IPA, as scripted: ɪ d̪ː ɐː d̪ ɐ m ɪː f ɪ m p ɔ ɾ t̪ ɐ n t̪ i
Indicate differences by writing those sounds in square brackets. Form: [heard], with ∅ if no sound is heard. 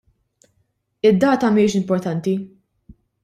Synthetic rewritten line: ɪ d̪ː ɐː [t̪] ɐ m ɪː [ʃ] ɪ m p ɔ ɾ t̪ ɐ n t̪ i